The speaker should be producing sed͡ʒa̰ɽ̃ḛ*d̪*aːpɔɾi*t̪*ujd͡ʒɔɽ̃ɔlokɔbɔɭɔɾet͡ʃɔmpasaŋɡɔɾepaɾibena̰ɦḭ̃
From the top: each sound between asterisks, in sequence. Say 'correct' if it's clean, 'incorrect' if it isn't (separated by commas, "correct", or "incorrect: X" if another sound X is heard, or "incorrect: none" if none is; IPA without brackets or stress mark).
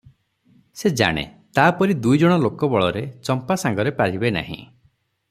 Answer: incorrect: t̪, incorrect: d̪